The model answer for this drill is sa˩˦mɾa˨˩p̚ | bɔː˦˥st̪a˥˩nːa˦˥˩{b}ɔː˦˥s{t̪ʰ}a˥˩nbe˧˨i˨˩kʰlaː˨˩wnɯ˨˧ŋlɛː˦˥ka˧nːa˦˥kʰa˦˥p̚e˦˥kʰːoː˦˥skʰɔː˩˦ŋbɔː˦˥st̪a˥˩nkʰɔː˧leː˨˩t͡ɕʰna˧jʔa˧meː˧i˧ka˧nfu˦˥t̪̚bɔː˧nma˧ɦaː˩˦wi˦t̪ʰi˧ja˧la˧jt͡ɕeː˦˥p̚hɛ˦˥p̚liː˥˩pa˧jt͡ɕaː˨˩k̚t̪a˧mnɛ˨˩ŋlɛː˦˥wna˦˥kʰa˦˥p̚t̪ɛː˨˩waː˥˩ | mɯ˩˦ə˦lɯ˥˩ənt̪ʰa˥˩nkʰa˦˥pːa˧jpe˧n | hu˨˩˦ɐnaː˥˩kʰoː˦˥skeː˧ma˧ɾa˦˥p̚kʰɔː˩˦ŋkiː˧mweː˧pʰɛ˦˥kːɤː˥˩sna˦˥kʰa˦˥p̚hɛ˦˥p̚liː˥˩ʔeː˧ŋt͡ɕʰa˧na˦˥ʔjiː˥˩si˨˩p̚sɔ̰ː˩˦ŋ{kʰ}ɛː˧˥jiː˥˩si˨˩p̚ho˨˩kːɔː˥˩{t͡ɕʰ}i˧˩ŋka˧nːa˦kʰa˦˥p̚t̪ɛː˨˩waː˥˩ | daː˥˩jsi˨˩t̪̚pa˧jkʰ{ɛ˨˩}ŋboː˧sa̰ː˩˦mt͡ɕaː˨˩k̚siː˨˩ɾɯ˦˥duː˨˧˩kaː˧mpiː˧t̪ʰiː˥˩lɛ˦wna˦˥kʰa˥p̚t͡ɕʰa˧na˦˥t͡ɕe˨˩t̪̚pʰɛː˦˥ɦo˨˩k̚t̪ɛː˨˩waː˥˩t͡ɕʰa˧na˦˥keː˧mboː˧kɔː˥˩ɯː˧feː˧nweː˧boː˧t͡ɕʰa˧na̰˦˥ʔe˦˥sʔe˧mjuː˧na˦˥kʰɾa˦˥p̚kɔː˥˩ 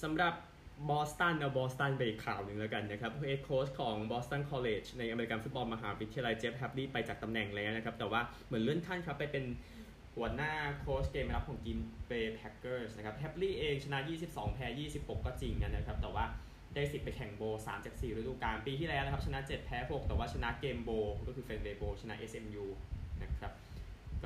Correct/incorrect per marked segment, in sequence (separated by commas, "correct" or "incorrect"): correct, incorrect, incorrect, incorrect, correct